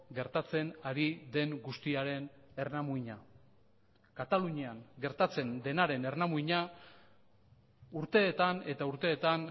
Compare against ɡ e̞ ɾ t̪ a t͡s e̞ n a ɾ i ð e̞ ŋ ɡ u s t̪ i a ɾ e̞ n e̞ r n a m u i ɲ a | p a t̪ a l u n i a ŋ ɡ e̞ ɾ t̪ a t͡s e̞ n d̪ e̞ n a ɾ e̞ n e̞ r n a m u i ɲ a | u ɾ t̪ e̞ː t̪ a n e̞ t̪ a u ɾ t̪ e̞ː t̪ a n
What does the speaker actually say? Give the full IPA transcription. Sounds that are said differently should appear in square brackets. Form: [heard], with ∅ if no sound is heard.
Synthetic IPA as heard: ɡ e̞ ɾ t̪ a t͡s e̞ n a ɾ i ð e̞ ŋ ɡ u s t̪ i a ɾ e̞ n e̞ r n a m u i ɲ a | [k] a t̪ a l u [ɲ] i a ŋ ɡ e̞ ɾ t̪ a t͡s e̞ n d̪ e̞ n a ɾ e̞ n e̞ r n a m u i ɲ a | u ɾ t̪ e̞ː t̪ a n e̞ t̪ a u ɾ t̪ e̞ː t̪ a n